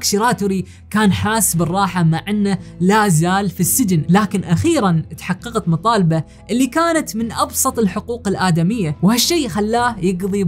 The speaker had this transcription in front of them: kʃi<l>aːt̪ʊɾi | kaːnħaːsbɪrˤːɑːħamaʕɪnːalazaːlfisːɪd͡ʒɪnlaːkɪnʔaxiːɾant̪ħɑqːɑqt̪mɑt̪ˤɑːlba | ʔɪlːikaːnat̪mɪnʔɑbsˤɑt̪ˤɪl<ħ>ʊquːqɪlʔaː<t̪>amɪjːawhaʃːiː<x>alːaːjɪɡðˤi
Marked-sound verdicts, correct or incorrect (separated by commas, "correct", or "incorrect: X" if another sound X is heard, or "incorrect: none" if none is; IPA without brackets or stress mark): incorrect: ɾ, correct, incorrect: d̪, correct